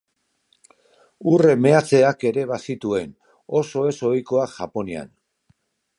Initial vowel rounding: rounded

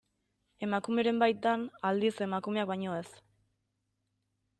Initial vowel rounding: unrounded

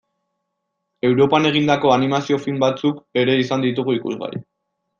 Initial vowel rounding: unrounded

